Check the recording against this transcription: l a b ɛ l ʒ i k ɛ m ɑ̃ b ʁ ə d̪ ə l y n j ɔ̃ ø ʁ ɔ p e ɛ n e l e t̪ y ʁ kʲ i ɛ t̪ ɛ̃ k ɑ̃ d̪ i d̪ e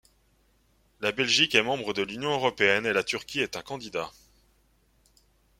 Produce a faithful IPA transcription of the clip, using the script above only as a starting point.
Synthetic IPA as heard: l a b ɛ l ʒ i k ɛ m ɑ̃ b ʁ ə d̪ ə l y n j ɔ̃ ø ʁ ɔ p e ɛ n e l a t̪ y ʁ kʲ i ɛ t̪ ɛ̃ k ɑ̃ d̪ i d̪ a